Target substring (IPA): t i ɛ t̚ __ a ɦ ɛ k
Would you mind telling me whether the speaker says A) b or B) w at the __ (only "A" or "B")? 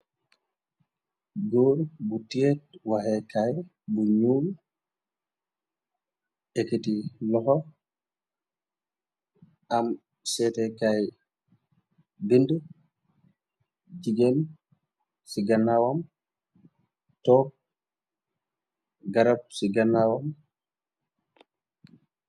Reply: B